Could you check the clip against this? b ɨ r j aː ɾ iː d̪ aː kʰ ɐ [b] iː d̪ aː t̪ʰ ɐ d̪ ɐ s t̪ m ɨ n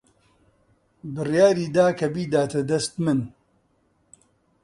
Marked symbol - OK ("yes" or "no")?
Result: yes